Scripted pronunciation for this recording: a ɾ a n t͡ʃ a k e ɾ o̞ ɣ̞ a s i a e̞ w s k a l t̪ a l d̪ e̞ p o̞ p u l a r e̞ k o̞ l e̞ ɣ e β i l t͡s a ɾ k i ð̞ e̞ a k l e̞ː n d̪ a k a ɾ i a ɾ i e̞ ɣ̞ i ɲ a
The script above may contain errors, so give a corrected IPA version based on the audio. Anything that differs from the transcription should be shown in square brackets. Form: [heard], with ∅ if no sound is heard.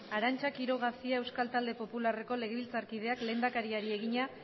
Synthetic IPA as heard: a ɾ a n t͡ʃ a k [i] ɾ o̞ ɣ̞ a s i a e̞ w s k a l t̪ a l d̪ e̞ p o̞ p u l a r e̞ k o̞ l e̞ ɣ e β i l t͡s a ɾ k i ð̞ e̞ a k l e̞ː n d̪ a k a ɾ i a ɾ i e̞ ɣ̞ i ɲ a